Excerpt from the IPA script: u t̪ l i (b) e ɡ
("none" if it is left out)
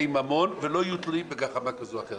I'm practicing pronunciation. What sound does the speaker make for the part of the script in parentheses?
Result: b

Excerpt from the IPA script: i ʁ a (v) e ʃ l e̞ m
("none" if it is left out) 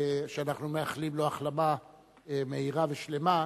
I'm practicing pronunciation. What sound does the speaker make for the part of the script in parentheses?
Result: v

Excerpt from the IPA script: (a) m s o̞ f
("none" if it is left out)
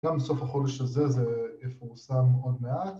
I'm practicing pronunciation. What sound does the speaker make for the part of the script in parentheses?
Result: a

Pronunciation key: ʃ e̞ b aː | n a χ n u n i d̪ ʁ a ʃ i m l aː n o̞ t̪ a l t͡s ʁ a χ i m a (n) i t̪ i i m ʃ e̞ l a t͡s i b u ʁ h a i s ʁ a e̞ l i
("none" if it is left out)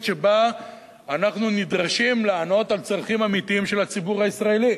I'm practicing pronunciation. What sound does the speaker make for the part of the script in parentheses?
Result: m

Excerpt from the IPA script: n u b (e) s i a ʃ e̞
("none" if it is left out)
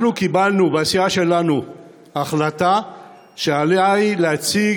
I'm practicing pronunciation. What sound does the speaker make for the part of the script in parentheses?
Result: a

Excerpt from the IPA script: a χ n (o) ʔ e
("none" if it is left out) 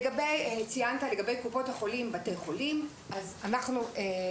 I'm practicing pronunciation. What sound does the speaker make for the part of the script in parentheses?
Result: u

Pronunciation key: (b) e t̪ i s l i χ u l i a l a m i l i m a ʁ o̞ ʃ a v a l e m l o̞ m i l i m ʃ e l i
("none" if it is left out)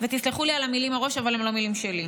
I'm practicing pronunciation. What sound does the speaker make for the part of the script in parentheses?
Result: v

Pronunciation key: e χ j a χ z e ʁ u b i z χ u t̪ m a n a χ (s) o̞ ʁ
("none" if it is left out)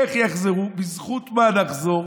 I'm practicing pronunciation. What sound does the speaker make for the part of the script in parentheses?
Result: z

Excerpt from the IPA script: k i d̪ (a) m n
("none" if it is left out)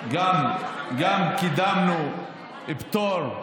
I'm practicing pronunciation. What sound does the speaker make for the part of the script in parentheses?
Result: a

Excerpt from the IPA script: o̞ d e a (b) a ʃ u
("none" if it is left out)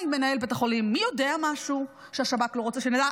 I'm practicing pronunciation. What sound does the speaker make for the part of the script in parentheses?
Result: m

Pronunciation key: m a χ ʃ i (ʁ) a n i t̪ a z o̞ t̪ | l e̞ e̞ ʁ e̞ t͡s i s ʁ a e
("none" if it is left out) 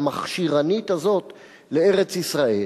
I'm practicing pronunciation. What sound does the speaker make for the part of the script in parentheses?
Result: ʁ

